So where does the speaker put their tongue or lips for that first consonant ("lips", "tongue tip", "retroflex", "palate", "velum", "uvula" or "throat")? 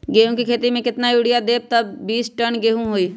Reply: velum